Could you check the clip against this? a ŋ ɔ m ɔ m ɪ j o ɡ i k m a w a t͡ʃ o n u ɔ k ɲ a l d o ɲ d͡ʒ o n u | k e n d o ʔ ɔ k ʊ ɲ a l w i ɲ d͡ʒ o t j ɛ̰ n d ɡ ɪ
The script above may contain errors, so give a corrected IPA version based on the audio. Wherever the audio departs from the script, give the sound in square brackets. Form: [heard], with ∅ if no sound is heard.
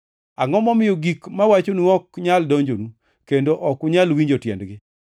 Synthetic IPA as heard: a ŋ ɔ m ɔ m ɪ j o ɡ i k m a w a t͡ʃ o n u ɔ k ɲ a l d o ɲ d͡ʒ o n u | k e n d o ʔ ɔ k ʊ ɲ a l w i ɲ d͡ʒ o t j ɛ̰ n d ɡ ɪ